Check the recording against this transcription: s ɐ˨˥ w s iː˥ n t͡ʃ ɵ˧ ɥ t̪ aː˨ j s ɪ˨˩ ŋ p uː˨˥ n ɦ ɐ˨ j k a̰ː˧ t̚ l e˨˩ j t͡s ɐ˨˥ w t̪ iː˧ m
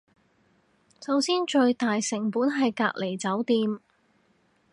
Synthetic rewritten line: s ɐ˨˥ w s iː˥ n t͡ʃ ɵ˧ ɥ t̪ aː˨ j s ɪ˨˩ ŋ p uː˨˥ n ɦ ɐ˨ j k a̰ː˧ k̚ l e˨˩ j t͡s ɐ˨˥ w t̪ iː˧ m